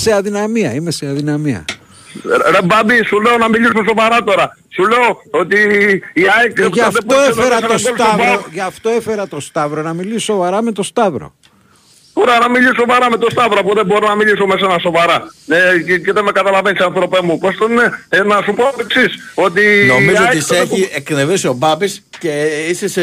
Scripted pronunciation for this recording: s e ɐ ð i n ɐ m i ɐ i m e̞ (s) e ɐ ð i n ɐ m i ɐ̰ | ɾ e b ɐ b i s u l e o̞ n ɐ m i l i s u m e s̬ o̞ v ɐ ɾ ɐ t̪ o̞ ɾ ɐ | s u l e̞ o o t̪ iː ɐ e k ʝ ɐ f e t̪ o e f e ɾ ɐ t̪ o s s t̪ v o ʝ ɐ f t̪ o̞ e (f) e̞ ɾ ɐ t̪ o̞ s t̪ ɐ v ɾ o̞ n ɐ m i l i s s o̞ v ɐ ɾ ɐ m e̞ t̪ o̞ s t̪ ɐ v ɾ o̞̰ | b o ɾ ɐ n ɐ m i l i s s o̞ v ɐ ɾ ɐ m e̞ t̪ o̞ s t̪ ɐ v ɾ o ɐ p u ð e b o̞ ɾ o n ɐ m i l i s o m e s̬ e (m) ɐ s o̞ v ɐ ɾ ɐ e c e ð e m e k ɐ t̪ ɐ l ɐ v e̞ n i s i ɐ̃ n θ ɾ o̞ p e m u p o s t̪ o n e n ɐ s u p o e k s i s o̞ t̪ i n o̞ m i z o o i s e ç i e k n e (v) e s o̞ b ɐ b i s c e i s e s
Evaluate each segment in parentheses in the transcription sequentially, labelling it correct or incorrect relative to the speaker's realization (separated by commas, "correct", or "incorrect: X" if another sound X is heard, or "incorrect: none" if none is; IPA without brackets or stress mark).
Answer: correct, correct, incorrect: n, correct